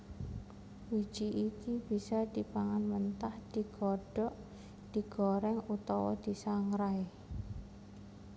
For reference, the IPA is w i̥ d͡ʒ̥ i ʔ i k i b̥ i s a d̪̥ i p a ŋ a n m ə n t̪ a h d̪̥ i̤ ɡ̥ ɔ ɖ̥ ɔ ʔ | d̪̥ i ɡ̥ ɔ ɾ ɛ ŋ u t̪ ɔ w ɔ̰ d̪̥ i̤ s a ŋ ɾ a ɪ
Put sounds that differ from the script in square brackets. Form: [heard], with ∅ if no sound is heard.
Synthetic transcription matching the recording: w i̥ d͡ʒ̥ i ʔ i k i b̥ i s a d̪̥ i p a ŋ a n m ə n t̪ a h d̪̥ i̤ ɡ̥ ɔ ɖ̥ ɔ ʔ | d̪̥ i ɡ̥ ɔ ɾ ɛ ŋ u t̪ ɔ w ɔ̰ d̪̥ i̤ s a ŋ ɾ a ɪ